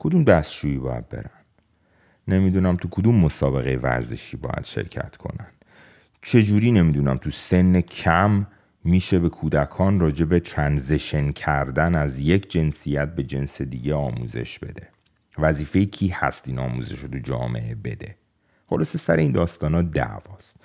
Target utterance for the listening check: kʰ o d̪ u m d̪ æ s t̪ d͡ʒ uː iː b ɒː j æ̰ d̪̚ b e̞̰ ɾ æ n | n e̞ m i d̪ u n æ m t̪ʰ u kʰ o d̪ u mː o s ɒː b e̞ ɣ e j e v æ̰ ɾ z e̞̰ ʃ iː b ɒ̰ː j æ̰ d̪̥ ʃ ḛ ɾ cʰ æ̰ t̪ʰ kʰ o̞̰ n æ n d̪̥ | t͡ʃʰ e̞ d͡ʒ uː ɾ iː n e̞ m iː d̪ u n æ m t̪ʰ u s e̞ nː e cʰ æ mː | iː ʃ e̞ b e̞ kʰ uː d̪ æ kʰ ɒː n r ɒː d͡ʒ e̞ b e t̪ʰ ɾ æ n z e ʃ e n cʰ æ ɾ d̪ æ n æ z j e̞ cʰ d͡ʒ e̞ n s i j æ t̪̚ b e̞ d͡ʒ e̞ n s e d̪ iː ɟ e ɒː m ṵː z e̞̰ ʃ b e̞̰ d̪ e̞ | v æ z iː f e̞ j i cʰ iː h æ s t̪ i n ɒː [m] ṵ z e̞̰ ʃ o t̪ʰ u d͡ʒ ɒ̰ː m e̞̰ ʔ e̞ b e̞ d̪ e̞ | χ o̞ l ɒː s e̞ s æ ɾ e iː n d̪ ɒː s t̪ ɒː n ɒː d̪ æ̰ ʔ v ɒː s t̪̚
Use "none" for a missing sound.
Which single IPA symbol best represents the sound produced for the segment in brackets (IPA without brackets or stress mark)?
m